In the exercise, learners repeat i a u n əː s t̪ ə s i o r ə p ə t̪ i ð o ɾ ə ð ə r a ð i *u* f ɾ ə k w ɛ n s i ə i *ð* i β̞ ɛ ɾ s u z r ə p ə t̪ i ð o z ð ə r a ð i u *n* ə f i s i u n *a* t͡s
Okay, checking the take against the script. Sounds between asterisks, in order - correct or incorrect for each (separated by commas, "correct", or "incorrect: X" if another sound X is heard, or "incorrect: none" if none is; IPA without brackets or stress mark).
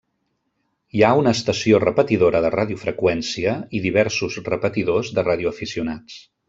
correct, correct, incorrect: none, correct